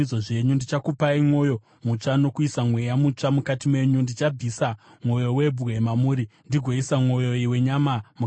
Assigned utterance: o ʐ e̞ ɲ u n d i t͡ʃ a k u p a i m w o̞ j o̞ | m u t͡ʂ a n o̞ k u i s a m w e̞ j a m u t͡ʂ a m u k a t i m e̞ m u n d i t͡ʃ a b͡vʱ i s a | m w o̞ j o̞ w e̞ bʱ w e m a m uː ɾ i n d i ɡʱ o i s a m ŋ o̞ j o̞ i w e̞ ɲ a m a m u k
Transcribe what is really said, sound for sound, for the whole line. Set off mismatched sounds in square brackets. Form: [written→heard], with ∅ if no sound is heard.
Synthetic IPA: o ʐ e̞ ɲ u n d i t͡ʃ a k u p a i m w o̞ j o̞ | m u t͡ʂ a n o̞ k u i s a m w e̞ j a m u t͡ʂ a m u k a t i m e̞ [m→ɲ] u n d i t͡ʃ a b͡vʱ i s a | m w o̞ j o̞ w e̞ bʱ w e m a m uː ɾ i n d i ɡʱ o i s a m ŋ o̞ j o̞ i w e̞ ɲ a m a m u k

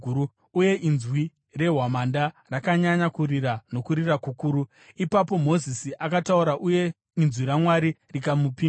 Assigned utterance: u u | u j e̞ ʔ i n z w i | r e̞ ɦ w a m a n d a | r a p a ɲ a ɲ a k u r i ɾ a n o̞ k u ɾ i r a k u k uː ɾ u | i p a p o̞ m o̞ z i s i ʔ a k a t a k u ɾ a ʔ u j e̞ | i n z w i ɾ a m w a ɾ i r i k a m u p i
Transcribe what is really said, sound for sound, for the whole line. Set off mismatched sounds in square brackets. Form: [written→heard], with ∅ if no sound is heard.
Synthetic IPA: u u | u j e̞ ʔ i n z w i | r e̞ ɦ w a m a n d a | r a [p→k] a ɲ a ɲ a k u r i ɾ a n o̞ k u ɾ i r a k u k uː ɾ u | i p a p o̞ m o̞ z i s i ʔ a k a t a [k→∅] u ɾ a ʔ u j e̞ | i n z w i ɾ a m w a ɾ i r i k a m u p i

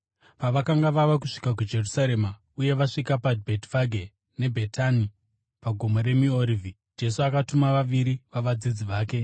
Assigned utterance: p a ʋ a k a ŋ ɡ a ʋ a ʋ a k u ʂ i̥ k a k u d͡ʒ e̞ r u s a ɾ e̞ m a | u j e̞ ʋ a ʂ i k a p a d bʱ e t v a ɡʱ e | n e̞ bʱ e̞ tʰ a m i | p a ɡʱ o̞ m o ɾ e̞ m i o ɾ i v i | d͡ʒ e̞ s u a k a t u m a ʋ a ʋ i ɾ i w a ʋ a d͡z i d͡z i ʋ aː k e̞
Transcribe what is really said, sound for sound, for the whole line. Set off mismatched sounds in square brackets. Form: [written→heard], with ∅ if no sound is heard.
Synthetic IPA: p a ʋ a k a ŋ ɡ a ʋ a ʋ a k u ʂ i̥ k a k u d͡ʒ e̞ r u s a ɾ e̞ m a | u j e̞ ʋ a ʂ i k a p a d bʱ e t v a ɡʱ e | n e̞ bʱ e̞ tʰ a [m→n] i | p a ɡʱ o̞ m o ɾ e̞ m i o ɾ i v i | d͡ʒ e̞ s u a k a t u m a ʋ a ʋ i ɾ i [w→ʋ] a ʋ a d͡z i d͡z i ʋ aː k e̞

